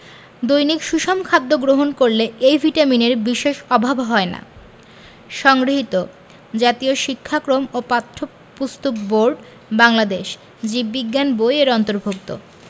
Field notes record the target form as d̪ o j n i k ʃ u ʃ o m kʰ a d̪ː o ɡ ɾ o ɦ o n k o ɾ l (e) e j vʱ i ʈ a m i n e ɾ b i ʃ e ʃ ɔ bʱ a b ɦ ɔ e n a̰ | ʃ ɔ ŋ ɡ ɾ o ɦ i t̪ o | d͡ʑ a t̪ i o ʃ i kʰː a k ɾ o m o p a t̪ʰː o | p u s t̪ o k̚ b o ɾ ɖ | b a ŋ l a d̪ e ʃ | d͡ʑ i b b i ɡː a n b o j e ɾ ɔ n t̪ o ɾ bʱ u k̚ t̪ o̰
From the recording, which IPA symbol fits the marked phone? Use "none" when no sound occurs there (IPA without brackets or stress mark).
e